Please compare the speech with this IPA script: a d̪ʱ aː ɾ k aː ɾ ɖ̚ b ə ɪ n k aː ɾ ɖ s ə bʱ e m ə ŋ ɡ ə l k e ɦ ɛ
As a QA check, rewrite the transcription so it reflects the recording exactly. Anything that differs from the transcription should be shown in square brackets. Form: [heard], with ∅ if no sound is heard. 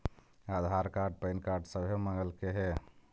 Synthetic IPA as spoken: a d̪ʱ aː ɾ k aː ɾ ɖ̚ [p] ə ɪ n k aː ɾ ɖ s ə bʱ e m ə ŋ ɡ ə l k e ɦ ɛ